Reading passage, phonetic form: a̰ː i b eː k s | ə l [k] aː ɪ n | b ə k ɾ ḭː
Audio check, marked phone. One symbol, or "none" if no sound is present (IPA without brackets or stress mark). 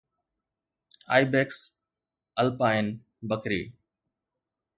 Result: p